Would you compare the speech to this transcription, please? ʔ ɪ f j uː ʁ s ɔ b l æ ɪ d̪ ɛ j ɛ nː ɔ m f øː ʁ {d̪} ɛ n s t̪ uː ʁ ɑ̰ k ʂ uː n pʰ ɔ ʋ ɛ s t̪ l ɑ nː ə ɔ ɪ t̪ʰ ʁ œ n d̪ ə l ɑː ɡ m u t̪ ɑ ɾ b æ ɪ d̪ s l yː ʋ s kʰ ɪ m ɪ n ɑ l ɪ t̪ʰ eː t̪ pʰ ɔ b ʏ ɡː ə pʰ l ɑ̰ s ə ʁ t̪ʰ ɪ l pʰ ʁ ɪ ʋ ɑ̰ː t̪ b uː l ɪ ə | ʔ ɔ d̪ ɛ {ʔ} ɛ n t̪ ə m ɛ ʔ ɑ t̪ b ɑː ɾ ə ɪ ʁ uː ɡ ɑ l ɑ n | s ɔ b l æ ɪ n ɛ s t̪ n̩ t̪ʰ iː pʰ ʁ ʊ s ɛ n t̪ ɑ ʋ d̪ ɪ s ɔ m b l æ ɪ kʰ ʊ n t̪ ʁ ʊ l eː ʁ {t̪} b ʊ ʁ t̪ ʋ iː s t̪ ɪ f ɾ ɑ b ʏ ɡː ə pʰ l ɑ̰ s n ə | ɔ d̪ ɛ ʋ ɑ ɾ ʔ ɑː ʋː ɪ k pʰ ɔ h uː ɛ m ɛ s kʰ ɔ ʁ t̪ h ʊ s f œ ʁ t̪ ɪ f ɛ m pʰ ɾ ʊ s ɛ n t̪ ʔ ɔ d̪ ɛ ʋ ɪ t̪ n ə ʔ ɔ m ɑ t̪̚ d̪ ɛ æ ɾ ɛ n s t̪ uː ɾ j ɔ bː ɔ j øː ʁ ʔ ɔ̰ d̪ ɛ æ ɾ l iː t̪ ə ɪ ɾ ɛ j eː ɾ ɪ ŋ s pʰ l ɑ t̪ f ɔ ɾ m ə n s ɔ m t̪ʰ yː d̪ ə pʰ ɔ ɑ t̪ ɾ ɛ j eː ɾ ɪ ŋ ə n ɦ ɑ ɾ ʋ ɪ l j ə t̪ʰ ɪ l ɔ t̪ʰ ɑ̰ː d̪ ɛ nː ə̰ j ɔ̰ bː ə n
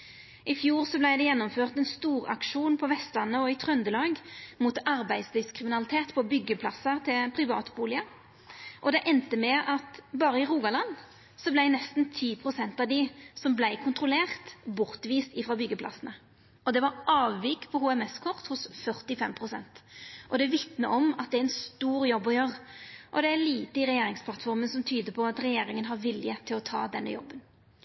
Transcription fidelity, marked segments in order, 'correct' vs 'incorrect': incorrect: t̪, correct, correct

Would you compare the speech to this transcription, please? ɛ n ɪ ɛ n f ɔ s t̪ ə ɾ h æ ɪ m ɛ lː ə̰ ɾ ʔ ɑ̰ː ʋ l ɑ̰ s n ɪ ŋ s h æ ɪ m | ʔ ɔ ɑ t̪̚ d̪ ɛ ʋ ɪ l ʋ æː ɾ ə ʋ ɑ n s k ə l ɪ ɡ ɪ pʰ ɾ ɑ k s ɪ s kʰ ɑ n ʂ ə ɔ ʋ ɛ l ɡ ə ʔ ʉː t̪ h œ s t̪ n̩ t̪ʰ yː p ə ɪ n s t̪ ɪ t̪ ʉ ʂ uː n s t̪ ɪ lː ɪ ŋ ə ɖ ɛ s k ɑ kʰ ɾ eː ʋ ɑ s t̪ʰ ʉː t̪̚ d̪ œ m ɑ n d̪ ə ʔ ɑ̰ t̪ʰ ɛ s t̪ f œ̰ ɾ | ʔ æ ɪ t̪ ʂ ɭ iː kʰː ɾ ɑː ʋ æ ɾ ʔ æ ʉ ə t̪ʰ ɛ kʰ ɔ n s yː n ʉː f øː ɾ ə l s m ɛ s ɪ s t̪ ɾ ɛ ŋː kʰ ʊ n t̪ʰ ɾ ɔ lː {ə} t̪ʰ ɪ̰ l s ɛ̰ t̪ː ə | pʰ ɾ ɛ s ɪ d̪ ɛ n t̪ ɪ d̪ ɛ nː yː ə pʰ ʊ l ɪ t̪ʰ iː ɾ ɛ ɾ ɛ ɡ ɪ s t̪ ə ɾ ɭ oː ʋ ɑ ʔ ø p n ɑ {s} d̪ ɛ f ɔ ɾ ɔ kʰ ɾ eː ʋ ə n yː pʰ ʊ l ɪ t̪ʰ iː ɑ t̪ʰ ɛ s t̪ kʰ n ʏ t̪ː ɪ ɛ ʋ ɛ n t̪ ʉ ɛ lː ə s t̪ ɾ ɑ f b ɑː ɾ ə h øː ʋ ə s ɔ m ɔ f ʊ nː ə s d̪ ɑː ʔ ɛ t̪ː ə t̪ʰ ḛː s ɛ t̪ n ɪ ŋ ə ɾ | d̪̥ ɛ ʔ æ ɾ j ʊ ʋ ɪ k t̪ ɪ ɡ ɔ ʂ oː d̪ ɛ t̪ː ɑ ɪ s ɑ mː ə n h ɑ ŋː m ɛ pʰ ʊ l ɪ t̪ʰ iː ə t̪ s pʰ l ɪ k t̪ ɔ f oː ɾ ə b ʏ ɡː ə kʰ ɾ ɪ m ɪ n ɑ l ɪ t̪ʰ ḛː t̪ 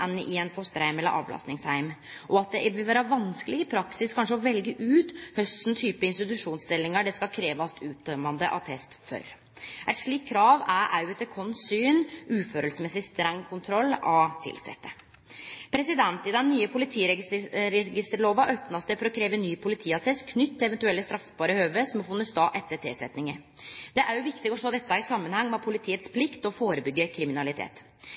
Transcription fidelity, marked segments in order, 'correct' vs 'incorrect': incorrect: ɑ, correct

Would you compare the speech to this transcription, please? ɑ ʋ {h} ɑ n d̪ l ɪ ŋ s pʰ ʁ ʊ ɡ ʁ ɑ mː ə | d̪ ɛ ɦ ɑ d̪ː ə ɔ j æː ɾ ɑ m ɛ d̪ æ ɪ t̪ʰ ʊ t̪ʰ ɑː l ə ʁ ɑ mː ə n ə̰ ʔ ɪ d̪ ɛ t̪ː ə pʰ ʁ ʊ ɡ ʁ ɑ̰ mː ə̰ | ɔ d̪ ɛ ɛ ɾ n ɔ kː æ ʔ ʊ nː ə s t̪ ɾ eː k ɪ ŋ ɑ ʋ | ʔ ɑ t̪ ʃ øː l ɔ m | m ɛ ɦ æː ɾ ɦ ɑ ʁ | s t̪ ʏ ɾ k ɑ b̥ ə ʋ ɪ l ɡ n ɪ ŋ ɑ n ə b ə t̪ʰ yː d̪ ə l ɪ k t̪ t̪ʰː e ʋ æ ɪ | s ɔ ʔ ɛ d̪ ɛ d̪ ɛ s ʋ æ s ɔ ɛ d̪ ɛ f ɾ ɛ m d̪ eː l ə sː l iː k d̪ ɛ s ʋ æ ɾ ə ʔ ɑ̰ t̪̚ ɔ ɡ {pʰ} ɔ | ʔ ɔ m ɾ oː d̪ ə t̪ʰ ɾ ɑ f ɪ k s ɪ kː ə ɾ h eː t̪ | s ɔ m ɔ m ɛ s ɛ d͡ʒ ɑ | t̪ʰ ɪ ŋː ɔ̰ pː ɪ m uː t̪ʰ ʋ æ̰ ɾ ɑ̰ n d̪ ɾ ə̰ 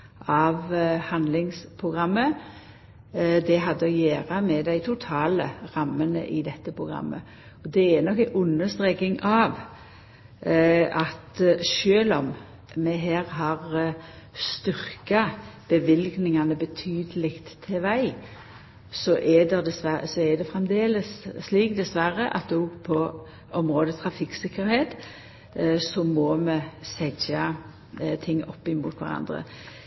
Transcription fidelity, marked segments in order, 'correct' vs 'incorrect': correct, correct

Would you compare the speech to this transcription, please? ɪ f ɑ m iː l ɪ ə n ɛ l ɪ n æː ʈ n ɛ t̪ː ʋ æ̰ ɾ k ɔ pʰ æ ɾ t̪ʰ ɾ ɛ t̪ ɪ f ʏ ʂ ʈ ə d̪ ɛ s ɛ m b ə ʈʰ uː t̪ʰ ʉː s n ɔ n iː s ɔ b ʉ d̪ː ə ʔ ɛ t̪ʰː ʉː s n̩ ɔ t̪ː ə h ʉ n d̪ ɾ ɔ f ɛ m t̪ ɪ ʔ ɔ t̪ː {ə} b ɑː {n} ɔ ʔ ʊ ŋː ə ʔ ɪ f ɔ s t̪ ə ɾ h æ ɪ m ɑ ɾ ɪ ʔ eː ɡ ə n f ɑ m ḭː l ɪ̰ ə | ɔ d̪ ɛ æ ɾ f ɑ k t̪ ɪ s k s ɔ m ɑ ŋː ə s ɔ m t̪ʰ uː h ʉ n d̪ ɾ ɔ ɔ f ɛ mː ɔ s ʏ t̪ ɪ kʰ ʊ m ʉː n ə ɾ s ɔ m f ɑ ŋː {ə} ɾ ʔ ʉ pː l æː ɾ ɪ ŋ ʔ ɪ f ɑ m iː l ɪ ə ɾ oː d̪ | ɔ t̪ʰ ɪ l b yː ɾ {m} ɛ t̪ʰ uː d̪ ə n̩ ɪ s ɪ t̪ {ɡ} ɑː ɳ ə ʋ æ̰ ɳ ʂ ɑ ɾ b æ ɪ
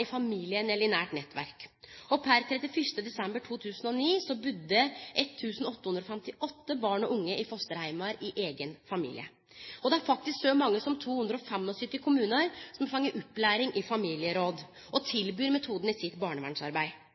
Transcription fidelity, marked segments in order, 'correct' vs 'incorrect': correct, incorrect: ɳ, correct, correct, incorrect: b

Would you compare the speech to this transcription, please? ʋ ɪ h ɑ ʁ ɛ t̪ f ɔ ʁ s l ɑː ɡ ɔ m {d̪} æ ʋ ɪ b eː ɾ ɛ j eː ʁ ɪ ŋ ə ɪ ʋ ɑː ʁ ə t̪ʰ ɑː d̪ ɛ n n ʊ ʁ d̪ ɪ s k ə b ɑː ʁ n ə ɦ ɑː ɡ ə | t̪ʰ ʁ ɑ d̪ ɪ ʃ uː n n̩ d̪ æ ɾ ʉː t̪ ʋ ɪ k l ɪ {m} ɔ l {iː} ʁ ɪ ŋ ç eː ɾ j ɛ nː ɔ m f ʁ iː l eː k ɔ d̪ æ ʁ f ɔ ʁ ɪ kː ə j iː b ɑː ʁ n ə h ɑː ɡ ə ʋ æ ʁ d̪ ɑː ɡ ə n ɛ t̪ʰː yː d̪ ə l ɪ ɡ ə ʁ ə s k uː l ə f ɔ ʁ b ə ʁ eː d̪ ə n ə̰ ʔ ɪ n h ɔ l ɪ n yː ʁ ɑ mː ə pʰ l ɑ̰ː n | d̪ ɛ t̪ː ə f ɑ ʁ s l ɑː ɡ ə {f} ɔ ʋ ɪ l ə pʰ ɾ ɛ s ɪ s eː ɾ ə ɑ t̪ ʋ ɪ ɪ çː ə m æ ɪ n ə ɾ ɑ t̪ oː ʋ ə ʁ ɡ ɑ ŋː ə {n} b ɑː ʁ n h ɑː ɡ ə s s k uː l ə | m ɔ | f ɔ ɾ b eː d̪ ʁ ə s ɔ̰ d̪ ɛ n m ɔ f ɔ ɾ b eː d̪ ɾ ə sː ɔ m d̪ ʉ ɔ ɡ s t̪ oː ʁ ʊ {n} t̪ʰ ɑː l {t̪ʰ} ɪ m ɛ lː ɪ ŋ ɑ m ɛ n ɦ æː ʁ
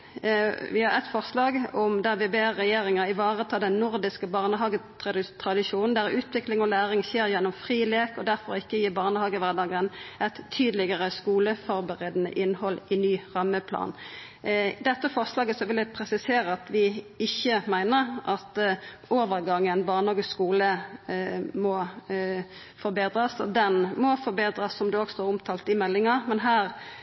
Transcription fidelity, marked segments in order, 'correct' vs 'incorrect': correct, incorrect: ŋ, incorrect: æː, incorrect: s, correct, incorrect: m, incorrect: t̪

